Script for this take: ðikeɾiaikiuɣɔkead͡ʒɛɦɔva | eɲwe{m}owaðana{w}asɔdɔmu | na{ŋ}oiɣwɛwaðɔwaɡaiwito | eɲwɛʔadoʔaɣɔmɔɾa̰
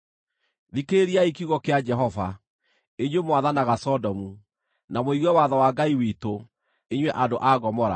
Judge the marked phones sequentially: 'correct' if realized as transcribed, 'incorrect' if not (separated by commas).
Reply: correct, incorrect, incorrect